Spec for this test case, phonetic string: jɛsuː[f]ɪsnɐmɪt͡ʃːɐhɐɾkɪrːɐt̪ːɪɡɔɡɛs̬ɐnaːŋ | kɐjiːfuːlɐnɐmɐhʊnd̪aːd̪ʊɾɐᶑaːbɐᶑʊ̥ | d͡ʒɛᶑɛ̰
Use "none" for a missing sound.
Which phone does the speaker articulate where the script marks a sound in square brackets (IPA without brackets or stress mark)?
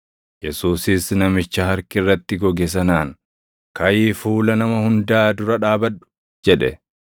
s